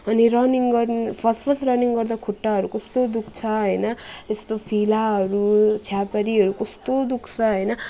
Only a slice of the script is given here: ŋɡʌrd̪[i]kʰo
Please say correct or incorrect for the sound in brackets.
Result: incorrect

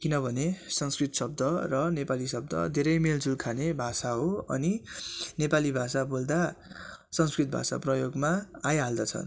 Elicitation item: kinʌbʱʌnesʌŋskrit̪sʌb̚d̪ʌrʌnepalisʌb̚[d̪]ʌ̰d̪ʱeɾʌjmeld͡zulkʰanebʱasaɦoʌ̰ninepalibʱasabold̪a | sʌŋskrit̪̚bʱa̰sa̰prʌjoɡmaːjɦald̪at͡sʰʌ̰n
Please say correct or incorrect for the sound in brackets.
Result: correct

